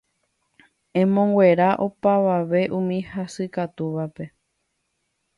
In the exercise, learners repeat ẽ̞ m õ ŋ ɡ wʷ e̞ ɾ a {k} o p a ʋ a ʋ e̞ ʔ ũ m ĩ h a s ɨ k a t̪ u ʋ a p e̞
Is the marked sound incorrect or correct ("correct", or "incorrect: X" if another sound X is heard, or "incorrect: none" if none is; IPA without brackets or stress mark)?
incorrect: ʔ